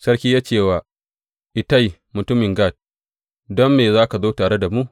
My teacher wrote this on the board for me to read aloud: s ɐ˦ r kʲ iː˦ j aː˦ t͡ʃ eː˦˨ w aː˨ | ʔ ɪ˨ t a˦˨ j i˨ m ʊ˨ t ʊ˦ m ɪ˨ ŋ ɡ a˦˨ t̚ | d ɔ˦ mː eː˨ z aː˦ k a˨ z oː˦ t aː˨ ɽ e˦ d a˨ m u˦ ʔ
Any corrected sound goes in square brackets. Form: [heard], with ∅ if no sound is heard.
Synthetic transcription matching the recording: s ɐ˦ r kʲ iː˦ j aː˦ t͡ʃ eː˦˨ w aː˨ | ʔ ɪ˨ t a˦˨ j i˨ m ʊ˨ t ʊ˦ m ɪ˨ ŋ ɡ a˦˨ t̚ | d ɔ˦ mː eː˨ z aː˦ k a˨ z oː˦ t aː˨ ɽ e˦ d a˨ m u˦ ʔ

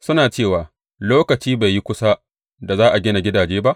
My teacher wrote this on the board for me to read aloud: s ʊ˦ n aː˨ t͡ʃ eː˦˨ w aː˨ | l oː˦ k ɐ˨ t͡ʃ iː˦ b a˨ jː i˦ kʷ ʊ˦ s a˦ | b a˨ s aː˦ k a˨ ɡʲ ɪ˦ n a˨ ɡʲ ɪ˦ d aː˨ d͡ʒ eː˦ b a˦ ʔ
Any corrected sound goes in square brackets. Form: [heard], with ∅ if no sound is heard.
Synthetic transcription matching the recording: s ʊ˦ n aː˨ t͡ʃ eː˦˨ w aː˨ | l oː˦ k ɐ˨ t͡ʃ iː˦ b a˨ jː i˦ kʷ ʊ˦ s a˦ | [d] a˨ [z] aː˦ [ʔ] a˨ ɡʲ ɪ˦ n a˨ ɡʲ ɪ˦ d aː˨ d͡ʒ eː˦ b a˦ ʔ

